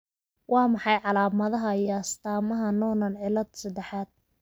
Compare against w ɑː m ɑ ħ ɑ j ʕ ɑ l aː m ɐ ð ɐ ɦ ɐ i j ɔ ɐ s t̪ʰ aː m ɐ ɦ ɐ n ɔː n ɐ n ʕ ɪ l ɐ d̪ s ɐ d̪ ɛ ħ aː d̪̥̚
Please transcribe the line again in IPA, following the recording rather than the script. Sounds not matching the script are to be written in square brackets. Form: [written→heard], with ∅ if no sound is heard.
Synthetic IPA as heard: w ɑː m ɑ ħ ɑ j ʕ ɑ l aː m ɐ ð ɐ ɦ ɐ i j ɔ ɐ s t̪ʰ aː m ɐ ɦ ɐ n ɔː n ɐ n ʕ ɪ l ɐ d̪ s ɐ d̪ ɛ ħ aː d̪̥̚